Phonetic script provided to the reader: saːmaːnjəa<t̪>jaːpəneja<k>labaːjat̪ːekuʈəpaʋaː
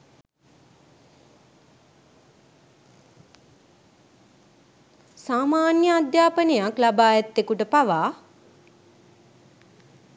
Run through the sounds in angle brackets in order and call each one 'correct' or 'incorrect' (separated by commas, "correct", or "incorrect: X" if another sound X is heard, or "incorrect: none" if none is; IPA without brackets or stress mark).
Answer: incorrect: d̪, correct